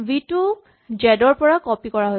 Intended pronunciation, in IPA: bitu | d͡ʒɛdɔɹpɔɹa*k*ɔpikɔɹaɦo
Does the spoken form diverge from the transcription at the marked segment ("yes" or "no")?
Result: no